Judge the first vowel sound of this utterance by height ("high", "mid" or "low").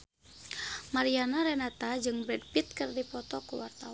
low